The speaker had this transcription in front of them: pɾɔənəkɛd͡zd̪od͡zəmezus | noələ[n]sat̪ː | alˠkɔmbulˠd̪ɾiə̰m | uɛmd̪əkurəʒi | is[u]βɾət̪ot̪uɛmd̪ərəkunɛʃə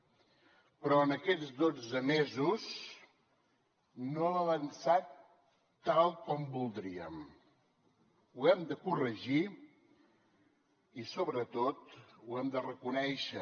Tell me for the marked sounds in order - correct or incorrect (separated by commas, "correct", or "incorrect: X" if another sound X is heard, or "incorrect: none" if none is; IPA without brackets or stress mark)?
correct, incorrect: o